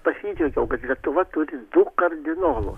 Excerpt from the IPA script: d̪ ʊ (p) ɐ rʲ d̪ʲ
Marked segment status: incorrect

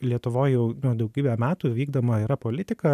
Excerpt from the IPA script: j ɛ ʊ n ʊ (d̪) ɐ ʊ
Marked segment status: correct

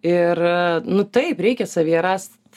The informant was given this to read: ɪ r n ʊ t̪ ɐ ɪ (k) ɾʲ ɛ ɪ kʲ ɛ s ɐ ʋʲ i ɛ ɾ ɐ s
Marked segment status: incorrect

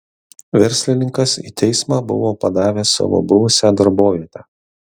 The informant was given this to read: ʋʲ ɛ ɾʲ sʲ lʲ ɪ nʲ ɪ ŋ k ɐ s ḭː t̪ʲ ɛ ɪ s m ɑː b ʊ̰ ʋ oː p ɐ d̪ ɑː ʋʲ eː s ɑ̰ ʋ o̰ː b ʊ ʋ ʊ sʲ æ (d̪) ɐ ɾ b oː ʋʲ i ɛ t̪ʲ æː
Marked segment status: correct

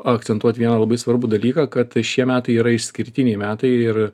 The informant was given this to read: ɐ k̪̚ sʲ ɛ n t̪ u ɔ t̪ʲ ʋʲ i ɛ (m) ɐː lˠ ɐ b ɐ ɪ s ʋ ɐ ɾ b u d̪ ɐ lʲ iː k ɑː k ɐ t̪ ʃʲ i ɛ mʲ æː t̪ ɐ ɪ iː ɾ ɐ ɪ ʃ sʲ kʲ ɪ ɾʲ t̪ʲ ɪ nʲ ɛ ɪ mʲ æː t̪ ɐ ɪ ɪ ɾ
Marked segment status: incorrect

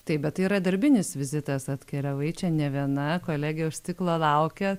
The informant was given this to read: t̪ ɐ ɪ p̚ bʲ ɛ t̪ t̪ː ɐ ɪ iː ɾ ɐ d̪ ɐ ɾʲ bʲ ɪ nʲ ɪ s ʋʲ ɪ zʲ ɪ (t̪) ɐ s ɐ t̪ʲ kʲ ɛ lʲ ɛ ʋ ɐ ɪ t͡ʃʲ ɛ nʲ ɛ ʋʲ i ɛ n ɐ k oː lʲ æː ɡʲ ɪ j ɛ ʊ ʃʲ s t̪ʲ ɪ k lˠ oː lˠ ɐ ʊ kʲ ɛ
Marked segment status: correct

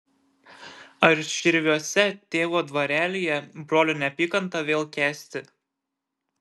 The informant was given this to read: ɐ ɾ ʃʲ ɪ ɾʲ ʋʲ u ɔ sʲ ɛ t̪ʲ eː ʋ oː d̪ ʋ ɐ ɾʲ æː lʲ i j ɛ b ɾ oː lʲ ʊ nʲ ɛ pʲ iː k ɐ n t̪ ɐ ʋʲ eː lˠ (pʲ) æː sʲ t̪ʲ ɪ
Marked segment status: incorrect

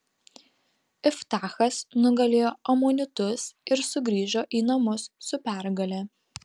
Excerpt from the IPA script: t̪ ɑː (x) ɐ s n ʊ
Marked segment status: correct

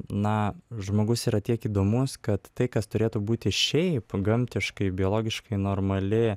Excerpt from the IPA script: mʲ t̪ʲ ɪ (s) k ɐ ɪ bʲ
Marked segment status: incorrect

